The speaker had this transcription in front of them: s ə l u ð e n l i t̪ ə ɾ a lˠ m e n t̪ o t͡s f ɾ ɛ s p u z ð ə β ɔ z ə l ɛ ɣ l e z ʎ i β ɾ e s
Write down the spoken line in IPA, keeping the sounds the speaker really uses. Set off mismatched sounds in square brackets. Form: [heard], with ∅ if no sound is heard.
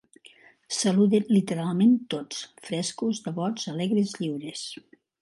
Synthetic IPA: s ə l u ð e n l i t̪ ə ɾ a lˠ m e n t̪ o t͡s f ɾ ɛ s [k] u z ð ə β ɔ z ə l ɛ ɣ [ɾ] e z ʎ i [w] ɾ e s